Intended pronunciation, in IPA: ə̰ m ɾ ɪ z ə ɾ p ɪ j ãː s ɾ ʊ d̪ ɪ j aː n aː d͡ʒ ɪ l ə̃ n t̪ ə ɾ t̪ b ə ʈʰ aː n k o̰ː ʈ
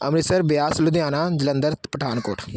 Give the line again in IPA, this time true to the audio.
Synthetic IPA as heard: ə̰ m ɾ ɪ s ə ɾ b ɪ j aː s l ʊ d̪ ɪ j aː n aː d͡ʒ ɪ l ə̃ n d̪ ə ɾ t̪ p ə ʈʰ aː n k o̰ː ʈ